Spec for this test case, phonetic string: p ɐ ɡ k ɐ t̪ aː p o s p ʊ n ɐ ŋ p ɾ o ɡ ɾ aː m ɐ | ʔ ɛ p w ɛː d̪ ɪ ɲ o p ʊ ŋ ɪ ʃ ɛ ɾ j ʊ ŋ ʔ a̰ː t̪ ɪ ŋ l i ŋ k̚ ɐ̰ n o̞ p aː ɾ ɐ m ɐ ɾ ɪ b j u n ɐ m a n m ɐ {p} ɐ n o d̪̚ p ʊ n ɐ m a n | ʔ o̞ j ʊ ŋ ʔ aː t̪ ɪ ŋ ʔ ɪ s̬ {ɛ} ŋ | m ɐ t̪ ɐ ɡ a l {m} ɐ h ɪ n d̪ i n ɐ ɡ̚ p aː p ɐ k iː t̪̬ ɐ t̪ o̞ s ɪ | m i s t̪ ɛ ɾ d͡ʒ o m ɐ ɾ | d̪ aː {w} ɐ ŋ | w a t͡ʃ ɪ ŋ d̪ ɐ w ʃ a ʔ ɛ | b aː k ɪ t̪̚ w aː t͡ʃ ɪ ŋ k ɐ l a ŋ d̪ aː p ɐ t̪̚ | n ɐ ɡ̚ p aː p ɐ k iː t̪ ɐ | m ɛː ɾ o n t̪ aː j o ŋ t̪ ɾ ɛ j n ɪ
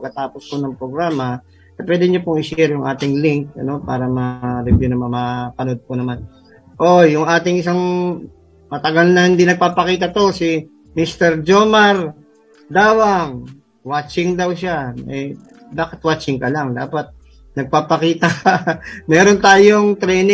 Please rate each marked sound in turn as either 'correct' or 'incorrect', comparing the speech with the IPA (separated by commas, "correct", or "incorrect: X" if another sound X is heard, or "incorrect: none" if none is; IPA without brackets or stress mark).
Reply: correct, incorrect: a, incorrect: n, correct